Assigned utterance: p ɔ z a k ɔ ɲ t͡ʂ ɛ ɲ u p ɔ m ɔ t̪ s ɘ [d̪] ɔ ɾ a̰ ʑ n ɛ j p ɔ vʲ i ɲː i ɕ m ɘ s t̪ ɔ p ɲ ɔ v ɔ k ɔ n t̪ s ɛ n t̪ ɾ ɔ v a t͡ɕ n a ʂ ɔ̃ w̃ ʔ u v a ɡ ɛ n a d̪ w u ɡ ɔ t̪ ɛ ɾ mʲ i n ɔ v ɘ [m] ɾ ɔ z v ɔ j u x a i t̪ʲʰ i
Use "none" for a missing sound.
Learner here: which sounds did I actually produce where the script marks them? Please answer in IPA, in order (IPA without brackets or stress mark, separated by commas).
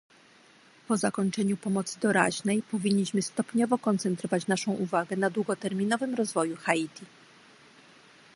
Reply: d̪, m